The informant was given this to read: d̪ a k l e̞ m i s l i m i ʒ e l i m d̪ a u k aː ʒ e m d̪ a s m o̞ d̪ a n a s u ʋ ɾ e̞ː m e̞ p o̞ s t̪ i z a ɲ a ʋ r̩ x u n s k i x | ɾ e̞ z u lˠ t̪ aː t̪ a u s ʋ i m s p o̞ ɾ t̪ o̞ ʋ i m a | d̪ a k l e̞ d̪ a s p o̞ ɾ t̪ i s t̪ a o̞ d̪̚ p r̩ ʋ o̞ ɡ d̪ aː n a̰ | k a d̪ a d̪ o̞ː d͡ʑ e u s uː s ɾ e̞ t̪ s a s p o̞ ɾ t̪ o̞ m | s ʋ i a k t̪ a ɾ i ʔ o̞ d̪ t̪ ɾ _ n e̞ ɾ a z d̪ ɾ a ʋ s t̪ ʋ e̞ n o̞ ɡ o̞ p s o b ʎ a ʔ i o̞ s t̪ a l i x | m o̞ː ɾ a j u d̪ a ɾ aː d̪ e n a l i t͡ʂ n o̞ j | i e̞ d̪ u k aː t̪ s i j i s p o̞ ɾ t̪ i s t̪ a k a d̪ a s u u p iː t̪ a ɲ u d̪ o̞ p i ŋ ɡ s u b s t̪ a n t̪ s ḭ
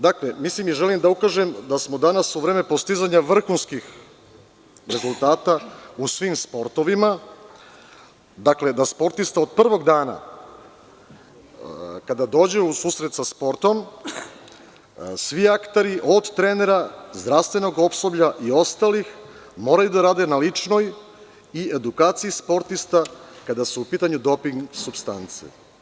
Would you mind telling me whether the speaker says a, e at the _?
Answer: e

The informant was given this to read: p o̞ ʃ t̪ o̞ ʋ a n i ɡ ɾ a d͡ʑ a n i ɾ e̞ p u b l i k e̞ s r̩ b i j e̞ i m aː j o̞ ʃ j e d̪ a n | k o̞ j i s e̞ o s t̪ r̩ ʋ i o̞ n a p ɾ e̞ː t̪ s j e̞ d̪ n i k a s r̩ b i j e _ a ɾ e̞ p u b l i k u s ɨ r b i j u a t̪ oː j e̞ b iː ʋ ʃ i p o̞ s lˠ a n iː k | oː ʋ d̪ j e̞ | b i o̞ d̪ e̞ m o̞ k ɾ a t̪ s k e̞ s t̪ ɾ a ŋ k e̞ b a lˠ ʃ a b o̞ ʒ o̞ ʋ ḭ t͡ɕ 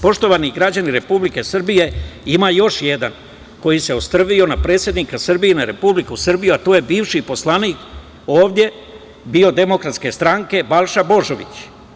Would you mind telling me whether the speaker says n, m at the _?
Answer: n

